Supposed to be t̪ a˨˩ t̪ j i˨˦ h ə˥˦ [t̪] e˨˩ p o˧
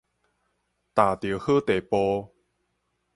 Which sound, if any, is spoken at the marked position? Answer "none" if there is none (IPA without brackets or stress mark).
t̪